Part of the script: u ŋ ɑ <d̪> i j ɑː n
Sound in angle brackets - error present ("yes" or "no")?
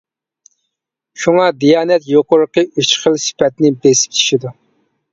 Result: no